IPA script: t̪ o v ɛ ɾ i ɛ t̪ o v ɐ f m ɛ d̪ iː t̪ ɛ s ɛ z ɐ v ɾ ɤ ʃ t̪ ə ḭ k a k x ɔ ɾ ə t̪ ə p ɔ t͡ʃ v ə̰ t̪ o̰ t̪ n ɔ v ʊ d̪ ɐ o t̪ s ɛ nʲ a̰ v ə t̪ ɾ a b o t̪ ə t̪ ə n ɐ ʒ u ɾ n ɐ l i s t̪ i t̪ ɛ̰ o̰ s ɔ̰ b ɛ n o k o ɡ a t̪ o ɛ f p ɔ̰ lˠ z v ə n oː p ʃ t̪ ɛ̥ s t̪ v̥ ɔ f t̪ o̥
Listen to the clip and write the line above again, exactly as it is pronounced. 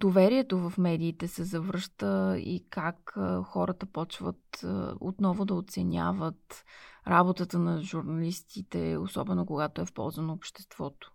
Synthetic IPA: d̪ o v ɛ ɾ i ɛ t̪ o v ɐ f m ɛ d̪ iː t̪ ɛ s ɛ z ɐ v ɾ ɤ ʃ t̪ ə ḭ k a k x ɔ ɾ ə t̪ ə p ɔ t͡ʃ v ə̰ t̪ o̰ t̪ n ɔ v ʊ d̪ ɐ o t̪ s ɛ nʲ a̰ v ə t̪ ɾ a b o t̪ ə t̪ ə n ɐ ʒ u ɾ n ɐ l i s t̪ i t̪ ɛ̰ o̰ s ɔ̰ b ɛ n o k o ɡ a t̪ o ɛ f p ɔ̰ lˠ z v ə n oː p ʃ t̪ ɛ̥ s t̪ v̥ ɔ t̪ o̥